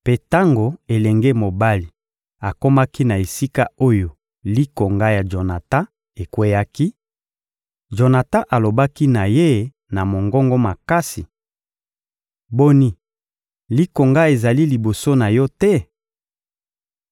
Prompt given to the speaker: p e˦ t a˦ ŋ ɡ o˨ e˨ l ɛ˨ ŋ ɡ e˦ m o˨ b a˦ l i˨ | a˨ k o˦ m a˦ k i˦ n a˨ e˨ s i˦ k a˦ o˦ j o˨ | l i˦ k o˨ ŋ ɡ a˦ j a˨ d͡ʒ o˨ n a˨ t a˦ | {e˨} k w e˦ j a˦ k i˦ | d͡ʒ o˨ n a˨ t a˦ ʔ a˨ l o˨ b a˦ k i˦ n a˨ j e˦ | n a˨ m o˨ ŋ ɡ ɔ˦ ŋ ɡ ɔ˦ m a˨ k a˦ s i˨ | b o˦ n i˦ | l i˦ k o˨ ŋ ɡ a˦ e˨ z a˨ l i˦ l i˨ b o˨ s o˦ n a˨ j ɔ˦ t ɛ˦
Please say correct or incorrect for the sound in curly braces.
correct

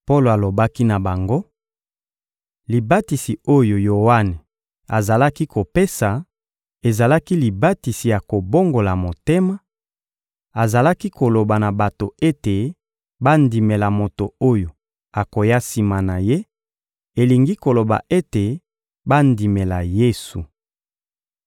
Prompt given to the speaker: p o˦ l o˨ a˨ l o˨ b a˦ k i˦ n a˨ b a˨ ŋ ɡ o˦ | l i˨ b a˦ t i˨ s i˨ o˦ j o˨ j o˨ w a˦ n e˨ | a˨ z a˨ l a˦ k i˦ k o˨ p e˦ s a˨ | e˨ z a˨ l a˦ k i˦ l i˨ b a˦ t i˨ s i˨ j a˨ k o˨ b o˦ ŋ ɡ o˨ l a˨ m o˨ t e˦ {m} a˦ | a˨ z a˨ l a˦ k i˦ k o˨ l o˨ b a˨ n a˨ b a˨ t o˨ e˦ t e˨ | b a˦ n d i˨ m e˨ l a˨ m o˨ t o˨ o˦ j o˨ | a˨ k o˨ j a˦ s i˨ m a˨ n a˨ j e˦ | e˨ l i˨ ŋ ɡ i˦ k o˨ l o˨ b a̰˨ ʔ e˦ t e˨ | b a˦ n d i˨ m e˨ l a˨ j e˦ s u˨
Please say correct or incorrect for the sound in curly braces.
correct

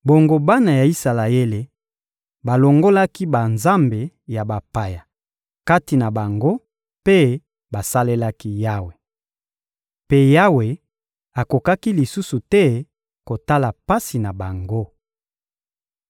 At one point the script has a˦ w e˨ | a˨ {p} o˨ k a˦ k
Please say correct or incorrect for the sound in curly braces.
incorrect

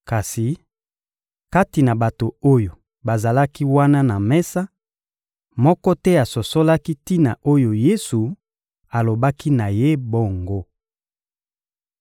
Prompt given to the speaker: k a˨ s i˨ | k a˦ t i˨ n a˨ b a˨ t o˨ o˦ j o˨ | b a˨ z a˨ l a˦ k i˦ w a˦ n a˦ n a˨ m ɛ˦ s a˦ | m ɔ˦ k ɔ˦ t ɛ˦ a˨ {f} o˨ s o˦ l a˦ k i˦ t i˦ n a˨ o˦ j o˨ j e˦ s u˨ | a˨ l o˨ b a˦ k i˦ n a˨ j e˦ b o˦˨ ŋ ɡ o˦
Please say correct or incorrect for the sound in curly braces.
incorrect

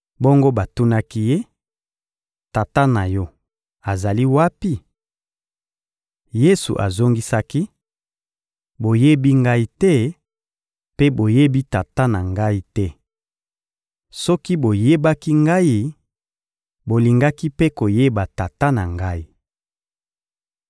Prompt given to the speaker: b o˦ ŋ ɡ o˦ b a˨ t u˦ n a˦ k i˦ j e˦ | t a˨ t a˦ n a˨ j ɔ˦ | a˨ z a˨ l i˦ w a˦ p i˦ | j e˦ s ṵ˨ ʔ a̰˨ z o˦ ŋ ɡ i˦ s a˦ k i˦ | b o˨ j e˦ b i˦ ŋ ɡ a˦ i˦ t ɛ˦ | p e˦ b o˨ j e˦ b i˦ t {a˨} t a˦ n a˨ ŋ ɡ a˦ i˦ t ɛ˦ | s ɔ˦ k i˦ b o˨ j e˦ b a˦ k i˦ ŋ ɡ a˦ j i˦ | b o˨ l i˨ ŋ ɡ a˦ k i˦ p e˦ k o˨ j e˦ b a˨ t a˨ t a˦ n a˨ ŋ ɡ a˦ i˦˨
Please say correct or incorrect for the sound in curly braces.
correct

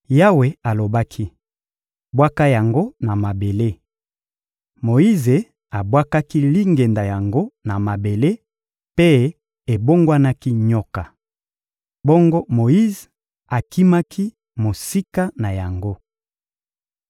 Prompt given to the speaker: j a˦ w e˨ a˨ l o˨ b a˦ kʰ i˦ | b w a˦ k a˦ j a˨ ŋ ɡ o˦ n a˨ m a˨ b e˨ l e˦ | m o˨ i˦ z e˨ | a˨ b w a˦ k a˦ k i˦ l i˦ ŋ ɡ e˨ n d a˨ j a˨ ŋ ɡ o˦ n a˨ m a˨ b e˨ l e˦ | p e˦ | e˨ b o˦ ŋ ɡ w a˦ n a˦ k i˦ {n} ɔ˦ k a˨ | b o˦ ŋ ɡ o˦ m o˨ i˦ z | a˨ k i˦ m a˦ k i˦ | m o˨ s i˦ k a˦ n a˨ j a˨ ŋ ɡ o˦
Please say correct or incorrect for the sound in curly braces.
incorrect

